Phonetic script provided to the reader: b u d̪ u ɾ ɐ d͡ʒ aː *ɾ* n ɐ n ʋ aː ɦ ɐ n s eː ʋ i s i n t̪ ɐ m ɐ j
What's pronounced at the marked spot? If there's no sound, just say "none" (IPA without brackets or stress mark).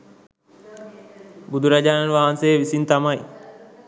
none